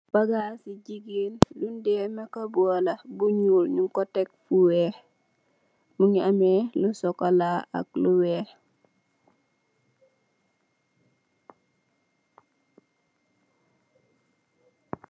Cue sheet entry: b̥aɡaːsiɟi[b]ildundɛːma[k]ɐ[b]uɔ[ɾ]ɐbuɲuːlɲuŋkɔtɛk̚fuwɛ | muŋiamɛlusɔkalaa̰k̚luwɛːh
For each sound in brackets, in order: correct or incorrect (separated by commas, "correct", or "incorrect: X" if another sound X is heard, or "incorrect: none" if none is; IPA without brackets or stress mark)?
incorrect: ɡ, correct, correct, incorrect: l